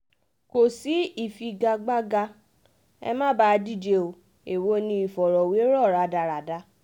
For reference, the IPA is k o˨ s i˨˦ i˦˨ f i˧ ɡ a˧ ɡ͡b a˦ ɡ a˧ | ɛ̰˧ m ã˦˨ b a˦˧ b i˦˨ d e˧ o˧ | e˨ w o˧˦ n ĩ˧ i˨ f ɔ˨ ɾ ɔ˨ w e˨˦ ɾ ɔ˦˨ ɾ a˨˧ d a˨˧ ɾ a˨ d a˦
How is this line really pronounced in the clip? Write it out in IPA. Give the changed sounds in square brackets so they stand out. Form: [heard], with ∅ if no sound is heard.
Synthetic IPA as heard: k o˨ s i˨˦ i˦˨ f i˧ ɡ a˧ ɡ͡b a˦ ɡ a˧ | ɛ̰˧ m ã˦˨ b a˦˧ [d] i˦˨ [d͡ʒ] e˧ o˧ | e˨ w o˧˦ n ĩ˧ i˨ f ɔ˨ ɾ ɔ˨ w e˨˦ ɾ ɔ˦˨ ɾ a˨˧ d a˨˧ ɾ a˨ d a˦